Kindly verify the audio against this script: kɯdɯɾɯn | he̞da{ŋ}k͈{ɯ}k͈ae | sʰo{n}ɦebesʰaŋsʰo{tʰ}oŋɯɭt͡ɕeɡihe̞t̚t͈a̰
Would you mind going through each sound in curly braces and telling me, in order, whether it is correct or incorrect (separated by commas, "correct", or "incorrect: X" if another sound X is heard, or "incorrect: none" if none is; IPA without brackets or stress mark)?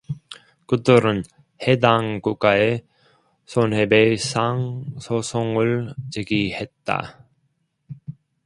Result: correct, incorrect: u, correct, incorrect: sʰ